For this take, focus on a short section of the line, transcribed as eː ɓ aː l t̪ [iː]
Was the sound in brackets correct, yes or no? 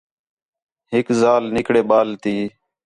yes